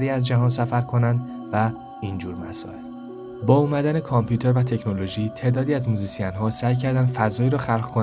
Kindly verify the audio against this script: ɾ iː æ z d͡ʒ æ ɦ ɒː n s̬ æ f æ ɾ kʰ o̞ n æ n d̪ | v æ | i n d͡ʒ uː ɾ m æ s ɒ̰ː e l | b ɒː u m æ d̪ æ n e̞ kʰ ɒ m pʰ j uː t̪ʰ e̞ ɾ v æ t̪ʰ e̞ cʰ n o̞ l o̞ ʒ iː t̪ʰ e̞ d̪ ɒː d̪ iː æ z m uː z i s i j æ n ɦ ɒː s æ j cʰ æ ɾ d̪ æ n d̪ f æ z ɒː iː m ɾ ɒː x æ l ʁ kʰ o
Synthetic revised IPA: ɾ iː æ z d͡ʒ æ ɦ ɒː n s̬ æ f æ ɾ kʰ o̞ n æ n d̪ | v æ | i n d͡ʒ uː ɾ m æ s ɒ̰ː e l | b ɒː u m æ d̪ æ n e̞ kʰ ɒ m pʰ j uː t̪ʰ e̞ ɾ v æ t̪ʰ e̞ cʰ n o̞ l o̞ ʒ iː t̪ʰ e̞ d̪ ɒː d̪ iː æ z m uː z i s i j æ n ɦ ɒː s æ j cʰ æ ɾ d̪ æ n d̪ f æ z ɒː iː ɾ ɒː x æ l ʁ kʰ o